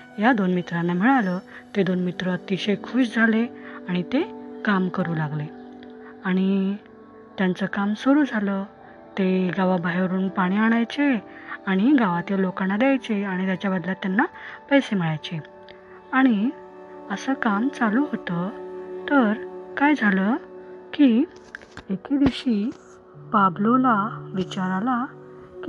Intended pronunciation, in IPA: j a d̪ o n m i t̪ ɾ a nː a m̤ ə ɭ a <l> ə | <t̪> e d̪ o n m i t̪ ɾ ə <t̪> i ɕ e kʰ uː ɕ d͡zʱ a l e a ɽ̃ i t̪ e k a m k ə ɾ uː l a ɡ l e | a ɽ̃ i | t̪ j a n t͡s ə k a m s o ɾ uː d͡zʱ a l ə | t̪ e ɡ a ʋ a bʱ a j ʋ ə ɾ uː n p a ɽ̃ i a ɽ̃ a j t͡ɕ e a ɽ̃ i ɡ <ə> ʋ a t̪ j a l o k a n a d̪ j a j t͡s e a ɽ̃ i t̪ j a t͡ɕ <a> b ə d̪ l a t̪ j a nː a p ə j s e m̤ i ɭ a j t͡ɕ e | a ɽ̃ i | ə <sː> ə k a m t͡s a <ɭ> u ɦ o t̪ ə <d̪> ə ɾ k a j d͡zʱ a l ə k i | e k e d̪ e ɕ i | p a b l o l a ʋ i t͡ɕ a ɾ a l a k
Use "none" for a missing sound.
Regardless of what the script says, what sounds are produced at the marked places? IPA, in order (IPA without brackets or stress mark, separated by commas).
l, t̪, t̪, a, a, s, l, t̪